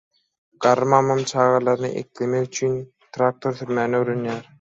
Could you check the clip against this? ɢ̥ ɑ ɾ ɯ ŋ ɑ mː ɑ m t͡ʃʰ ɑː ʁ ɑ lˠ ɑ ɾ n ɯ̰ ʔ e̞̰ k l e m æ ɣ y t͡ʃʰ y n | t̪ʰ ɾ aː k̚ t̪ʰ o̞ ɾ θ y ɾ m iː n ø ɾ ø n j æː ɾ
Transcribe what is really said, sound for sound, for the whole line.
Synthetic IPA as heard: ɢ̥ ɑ ɾ ɯ m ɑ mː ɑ m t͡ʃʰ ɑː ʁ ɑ lˠ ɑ ɾ n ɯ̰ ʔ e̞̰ k l e m e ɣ y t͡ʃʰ y n | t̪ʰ ɾ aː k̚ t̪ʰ o̞ ɾ θ y ɾ m æː n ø ɾ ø n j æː ɾ